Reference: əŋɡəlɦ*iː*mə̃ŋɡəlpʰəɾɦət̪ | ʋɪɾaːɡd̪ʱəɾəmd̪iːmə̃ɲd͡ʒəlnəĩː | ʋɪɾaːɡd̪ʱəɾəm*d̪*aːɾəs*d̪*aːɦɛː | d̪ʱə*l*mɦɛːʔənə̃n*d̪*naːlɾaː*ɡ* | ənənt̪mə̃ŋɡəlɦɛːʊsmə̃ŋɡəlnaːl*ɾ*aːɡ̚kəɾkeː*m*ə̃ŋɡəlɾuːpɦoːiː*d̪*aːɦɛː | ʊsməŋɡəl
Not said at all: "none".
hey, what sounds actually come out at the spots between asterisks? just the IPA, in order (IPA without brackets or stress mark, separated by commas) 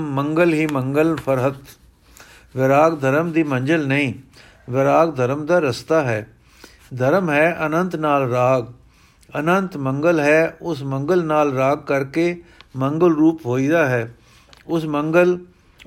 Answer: iː, d̪, t̪, ɾ, t̪, ɡ, ɾ, m, d̪